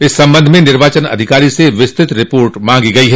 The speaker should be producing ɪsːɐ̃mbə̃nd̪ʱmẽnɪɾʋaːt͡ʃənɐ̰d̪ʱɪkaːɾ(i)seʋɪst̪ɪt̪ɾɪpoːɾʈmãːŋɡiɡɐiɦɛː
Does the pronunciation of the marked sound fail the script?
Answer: no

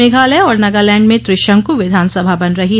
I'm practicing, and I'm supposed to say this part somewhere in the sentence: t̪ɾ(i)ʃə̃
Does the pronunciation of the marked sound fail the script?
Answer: yes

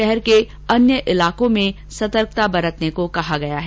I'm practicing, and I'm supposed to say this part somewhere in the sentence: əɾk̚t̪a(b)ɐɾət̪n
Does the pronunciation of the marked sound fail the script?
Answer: no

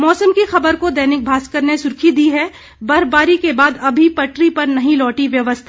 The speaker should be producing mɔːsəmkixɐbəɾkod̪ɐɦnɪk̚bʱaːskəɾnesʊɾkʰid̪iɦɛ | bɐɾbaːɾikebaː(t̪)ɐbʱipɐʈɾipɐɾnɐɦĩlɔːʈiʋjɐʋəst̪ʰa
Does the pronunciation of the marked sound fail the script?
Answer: yes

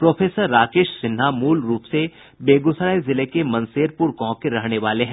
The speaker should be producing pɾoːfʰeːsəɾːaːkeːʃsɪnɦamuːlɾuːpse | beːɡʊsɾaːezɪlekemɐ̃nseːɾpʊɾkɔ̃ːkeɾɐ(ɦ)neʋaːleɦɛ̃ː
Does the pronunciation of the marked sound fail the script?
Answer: no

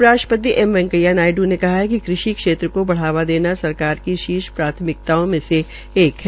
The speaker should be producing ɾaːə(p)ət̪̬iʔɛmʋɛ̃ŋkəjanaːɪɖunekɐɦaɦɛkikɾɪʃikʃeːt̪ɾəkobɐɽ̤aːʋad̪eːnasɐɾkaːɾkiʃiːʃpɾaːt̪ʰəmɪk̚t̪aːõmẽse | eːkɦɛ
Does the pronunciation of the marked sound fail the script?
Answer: no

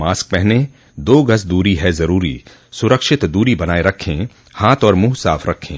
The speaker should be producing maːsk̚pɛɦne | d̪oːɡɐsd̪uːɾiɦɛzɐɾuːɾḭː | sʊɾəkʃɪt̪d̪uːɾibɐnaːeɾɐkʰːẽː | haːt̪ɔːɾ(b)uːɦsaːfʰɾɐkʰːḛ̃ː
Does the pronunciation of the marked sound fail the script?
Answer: yes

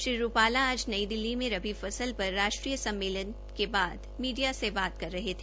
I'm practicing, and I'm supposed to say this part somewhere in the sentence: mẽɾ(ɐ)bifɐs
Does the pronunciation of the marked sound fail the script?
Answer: no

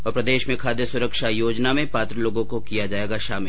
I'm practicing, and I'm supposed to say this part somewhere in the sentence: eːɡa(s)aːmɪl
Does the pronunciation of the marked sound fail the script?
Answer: yes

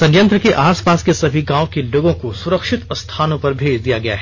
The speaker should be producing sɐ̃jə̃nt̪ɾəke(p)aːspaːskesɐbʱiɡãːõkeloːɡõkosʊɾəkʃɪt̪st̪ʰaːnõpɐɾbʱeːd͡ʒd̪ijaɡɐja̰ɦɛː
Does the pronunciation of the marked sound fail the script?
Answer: yes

